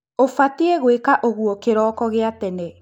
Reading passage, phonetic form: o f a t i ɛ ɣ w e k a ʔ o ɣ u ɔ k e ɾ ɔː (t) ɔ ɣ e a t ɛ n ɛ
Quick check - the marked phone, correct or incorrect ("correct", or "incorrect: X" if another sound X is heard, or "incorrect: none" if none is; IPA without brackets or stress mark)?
incorrect: k